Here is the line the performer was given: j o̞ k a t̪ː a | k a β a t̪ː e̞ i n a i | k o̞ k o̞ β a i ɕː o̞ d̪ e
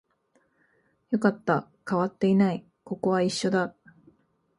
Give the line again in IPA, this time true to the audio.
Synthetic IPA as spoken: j o̞ k a t̪ː a | k a β a t̪ː e̞ i n a i | k o̞ k o̞ β a i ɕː o̞ d̪ a